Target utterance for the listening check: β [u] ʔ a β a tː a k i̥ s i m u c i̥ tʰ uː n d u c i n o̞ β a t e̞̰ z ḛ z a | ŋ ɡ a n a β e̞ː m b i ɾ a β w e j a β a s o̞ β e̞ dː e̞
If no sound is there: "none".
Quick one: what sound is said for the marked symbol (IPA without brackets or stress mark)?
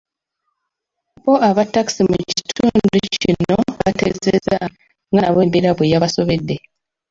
o